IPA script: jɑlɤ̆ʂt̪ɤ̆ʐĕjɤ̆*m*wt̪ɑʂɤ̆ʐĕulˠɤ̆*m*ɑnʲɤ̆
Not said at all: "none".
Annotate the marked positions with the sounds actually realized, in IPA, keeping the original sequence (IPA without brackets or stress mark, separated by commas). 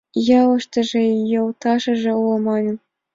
none, m